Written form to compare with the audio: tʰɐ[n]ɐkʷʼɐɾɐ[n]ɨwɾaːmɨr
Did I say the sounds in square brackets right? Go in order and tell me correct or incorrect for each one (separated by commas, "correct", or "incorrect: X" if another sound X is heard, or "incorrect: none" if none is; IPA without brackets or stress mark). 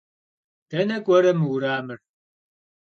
correct, incorrect: m